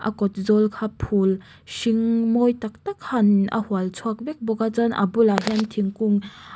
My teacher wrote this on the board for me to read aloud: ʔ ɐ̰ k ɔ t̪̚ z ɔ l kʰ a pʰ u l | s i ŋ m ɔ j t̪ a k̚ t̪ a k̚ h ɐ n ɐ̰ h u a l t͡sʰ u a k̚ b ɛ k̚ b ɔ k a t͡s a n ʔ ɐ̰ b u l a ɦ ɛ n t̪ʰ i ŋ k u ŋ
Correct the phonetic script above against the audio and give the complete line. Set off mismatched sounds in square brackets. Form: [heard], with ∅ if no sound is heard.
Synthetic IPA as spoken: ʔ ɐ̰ k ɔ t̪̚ z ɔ l kʰ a pʰ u l | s i ŋ m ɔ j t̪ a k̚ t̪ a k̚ h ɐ n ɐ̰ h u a l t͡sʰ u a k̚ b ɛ k̚ b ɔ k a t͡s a n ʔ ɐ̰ b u l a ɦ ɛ n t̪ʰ i ŋ k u ŋ